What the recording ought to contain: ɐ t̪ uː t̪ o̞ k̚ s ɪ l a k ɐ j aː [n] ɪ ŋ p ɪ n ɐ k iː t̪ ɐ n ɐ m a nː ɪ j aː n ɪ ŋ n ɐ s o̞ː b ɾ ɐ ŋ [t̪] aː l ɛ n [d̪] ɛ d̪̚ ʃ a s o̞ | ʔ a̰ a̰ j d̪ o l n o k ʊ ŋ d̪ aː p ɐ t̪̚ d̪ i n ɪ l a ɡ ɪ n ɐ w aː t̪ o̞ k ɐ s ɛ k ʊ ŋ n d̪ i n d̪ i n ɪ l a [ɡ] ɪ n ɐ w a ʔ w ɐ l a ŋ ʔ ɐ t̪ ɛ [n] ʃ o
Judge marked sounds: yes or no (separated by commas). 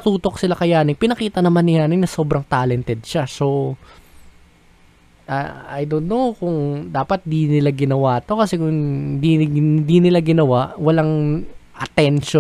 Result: yes, yes, no, yes, yes